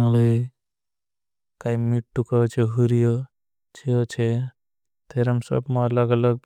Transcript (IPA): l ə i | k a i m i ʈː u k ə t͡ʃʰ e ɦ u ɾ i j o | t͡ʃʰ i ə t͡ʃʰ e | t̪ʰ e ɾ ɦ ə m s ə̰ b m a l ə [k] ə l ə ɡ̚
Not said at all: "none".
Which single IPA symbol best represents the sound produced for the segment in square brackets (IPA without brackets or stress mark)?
ɡ